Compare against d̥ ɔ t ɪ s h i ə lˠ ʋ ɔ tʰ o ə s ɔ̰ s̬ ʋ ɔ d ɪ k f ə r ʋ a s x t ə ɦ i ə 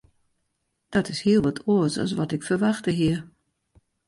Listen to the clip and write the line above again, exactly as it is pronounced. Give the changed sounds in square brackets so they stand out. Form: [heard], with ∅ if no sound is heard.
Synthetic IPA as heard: d̥ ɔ t ɪ s h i ə lˠ ʋ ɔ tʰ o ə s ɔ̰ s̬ ʋ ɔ [t] ɪ k f ə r ʋ a [∅] x t ə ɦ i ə